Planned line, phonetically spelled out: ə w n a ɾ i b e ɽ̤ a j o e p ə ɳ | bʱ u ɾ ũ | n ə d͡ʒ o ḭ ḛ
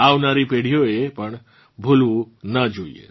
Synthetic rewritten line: a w n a ɾ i p e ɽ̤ i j o e p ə ɳ | bʱ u l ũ | n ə d͡ʒ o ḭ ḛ